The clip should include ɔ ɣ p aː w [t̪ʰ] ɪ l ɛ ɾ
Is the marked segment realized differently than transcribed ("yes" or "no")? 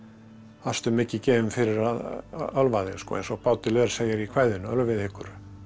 yes